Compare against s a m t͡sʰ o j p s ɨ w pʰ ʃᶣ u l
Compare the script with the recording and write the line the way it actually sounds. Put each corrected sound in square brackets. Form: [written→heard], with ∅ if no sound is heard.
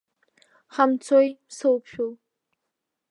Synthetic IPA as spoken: [s→χ] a m t͡sʰ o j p s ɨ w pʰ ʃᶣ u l